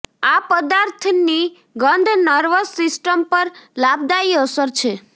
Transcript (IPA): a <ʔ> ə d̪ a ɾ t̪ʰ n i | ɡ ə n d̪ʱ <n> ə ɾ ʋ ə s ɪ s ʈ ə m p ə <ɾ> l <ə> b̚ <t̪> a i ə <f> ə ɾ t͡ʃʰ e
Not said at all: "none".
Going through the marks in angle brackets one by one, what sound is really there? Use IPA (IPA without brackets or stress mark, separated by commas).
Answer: p, n, ɾ, a, d̪, s